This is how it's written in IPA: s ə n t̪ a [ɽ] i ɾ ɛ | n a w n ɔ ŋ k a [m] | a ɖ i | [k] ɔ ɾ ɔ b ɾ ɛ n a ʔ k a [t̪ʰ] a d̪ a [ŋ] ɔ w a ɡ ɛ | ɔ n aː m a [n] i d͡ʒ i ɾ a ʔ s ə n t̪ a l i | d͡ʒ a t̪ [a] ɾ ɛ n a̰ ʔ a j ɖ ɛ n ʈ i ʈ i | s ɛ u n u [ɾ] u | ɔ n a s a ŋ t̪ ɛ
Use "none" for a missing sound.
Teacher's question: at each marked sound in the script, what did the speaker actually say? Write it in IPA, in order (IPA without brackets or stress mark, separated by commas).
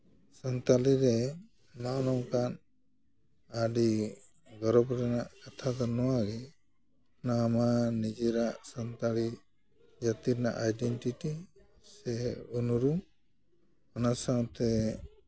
l, n, ɡ, t̪ʰ, n, n, i, ɾ